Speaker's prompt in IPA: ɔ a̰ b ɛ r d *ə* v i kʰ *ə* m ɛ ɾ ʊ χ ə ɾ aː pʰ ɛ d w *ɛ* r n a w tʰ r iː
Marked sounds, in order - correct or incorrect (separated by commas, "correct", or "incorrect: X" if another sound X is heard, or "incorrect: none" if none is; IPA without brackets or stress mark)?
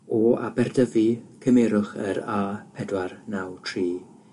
correct, correct, incorrect: a